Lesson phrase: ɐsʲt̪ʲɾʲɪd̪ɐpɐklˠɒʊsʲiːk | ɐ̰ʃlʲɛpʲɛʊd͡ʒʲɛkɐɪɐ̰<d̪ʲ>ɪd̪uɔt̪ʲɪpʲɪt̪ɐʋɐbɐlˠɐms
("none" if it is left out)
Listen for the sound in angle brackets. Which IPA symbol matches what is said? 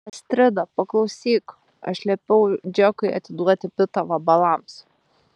t̪ʲ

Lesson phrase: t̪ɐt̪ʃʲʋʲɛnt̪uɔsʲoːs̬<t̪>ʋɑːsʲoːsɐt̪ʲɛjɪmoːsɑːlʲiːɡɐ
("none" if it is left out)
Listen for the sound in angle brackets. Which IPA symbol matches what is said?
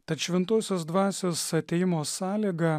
d̪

